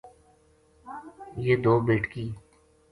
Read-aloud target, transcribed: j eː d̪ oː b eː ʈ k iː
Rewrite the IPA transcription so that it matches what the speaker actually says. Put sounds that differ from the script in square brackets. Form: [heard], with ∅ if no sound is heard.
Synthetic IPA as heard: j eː d̪ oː b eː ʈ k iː